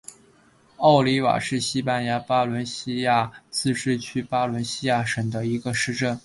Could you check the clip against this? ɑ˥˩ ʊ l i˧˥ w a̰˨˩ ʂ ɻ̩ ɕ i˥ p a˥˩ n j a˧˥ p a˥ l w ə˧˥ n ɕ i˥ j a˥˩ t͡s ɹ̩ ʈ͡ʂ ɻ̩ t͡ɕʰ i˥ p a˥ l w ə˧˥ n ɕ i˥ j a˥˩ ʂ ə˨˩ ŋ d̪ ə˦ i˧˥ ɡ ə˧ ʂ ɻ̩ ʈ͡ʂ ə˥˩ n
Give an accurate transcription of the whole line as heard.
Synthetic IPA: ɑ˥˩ ʊ l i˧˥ w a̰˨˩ ʂ ɻ̩ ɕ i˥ p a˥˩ n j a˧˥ p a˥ l w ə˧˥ n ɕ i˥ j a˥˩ t͡s ɹ̩ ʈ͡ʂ ɻ̩ t͡ɕʰ y˥ p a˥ l w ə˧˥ n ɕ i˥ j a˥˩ ʂ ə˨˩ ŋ d̪ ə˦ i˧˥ ɡ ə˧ ʂ ɻ̩ ʈ͡ʂ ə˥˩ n

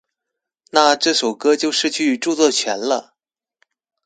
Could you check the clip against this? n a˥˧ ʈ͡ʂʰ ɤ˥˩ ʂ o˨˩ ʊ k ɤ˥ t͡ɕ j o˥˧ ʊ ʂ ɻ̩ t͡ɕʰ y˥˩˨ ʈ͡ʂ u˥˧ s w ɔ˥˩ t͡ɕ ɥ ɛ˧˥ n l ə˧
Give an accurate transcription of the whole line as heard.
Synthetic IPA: n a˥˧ ʈ͡ʂ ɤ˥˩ ʂ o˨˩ ʊ k ɤ˥ t͡ɕ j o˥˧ ʊ ʂ ɻ̩ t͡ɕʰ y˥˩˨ ʈ͡ʂ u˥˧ t͡s w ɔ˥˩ t͡ɕʰ ɥ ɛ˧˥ n l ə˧

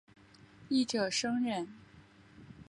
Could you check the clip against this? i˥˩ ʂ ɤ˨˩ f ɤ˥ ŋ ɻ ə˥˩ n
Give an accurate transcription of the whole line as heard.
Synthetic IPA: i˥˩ ʈ͡ʂ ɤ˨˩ ʂ ɤ˥ ŋ ɻ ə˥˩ n

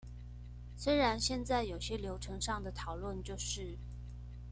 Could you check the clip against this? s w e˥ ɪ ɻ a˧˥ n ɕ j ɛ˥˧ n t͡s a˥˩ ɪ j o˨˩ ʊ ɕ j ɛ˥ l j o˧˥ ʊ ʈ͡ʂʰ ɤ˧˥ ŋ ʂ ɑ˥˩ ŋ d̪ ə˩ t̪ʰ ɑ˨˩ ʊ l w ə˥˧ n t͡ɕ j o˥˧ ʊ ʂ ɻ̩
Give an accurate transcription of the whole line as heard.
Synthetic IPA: s w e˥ ɪ ɻ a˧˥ n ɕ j ɛ˥˧ n t͡s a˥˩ ɪ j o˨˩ ʊ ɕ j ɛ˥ l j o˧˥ ʊ ʈ͡ʂʰ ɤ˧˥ ŋ ʂ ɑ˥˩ ŋ d̪ ə˩ t̪ʰ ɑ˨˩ ʊ l w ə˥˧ n t͡ɕ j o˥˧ ʊ ʂ ɻ̩

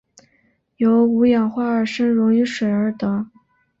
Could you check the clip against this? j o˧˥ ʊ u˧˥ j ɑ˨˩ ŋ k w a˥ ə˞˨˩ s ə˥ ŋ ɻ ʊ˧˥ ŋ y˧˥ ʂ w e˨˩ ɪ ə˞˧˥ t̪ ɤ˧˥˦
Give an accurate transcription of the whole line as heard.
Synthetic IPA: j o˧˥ ʊ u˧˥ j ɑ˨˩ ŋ x w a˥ ə˞˨˩ ʂ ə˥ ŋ ɻ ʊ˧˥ ŋ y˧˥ ʂ w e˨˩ ɪ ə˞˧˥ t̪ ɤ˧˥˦

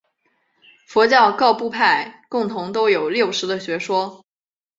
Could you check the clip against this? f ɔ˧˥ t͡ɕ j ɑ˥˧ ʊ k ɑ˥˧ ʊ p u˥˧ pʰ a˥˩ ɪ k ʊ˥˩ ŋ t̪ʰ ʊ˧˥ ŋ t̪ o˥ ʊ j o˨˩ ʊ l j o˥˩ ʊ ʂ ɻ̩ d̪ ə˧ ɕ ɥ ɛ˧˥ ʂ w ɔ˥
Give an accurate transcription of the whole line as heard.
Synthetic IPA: f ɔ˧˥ t͡ɕ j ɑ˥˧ ʊ k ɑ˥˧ ʊ p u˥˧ pʰ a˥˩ ɪ k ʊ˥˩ ŋ t̪ʰ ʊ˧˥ ŋ t̪ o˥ ʊ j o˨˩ ʊ l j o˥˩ ʊ ʂ ɻ̩ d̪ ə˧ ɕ ɥ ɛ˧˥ ʂ w ɔ˥

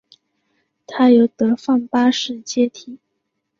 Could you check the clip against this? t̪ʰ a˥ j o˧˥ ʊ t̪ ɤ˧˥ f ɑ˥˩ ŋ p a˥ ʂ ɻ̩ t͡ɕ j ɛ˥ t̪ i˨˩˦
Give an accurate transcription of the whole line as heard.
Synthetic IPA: t̪ʰ a˥ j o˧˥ ʊ t̪ ɤ˧˥ f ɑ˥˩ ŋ p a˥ ʂ ɻ̩ t͡ɕ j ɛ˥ t̪ʰ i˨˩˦

